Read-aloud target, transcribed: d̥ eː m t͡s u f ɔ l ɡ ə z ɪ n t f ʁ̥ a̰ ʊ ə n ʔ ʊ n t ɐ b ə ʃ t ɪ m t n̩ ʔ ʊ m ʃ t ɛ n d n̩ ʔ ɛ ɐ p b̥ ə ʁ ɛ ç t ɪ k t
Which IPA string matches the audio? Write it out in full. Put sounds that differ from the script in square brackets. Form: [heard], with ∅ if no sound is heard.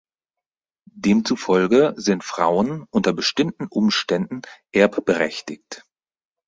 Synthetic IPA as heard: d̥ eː m t͡s u f ɔ l ɡ ə z ɪ n t f ʁ̥ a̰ ʊ ə n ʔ ʊ n t ɐ b ə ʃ t ɪ m t n̩ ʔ ʊ m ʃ t ɛ n d n̩ ʔ ɛ ɐ p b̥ ə ʁ ɛ ç t ɪ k t